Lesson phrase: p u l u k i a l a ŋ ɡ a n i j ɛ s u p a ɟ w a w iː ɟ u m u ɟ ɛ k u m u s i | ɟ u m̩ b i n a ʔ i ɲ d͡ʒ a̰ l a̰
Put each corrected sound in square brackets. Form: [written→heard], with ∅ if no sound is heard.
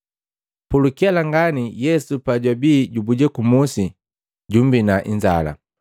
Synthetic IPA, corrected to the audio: p u l u k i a l a ŋ ɡ a n i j ɛ s u p a ɟ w a [w→b] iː ɟ u [m→b] u ɟ ɛ k u m u s i | ɟ u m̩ b i n a ʔ i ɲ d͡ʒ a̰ l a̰